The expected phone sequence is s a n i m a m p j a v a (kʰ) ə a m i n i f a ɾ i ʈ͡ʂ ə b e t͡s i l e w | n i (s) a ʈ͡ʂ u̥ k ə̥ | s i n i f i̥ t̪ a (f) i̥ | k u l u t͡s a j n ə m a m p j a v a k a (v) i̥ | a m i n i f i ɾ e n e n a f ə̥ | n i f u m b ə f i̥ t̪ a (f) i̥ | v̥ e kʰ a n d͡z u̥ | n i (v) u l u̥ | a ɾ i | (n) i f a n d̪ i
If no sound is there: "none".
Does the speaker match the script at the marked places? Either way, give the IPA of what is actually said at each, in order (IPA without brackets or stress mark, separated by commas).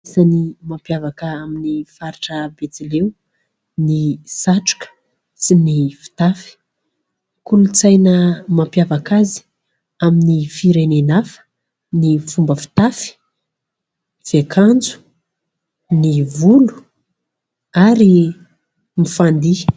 k, s, f, z, f, v, m